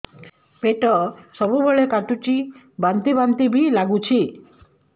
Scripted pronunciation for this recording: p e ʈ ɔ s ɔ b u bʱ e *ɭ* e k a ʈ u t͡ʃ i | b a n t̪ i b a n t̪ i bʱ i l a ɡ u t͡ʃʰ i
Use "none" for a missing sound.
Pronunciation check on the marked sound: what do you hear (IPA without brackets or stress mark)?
ɭ